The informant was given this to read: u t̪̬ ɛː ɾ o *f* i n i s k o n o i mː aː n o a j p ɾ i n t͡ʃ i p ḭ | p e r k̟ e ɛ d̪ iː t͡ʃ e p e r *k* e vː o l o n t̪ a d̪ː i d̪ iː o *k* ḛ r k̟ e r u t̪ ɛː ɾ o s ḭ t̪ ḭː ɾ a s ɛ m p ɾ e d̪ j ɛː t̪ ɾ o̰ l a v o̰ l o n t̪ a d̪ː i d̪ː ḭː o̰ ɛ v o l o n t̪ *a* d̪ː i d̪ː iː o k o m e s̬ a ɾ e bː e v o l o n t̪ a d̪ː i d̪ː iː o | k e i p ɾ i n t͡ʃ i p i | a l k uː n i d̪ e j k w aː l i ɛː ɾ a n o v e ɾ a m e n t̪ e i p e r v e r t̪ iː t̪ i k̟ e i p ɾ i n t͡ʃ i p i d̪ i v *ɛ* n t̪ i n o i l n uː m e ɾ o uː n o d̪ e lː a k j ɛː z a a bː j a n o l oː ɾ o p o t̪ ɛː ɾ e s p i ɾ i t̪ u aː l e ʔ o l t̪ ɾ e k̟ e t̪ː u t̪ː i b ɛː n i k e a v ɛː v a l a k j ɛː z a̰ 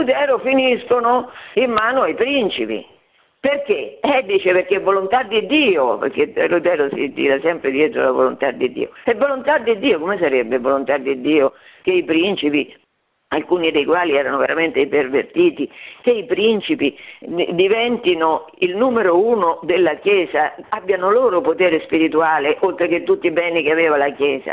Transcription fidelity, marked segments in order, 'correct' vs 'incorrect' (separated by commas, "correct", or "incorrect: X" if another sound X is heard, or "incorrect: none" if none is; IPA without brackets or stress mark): correct, correct, incorrect: p, correct, correct